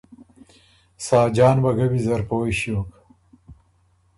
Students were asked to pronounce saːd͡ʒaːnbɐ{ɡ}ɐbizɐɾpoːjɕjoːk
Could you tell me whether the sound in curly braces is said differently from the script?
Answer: no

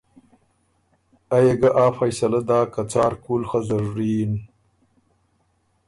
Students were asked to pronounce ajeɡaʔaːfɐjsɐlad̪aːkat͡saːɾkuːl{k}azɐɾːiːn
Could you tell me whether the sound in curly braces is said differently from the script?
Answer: yes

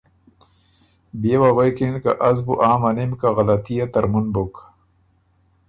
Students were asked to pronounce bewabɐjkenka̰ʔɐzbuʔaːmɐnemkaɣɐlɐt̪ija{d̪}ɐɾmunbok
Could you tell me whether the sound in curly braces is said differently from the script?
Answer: yes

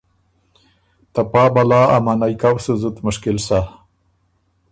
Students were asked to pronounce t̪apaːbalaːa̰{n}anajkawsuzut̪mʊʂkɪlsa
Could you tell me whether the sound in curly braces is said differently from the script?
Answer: yes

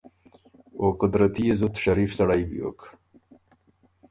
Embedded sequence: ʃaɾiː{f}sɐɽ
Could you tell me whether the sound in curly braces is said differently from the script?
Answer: no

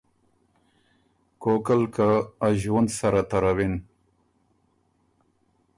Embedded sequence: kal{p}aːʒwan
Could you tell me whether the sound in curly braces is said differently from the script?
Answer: yes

